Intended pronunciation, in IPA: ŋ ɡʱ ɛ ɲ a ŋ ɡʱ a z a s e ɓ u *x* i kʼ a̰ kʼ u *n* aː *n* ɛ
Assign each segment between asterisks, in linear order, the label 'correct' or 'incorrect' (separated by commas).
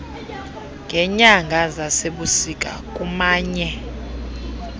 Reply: incorrect, incorrect, incorrect